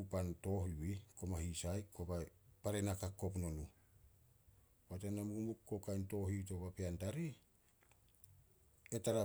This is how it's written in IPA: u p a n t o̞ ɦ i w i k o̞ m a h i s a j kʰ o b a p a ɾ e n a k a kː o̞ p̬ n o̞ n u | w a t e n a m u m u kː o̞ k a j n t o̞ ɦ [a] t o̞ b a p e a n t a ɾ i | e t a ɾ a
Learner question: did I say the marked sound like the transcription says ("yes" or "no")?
no